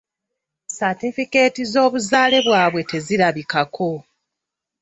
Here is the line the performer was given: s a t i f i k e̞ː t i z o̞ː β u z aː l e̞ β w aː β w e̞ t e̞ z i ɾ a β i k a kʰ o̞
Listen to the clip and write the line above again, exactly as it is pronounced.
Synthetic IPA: s a t i f i k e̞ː t i z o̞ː β u z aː l e̞ β w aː β w e̞ t e̞ z i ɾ a β i k a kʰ o̞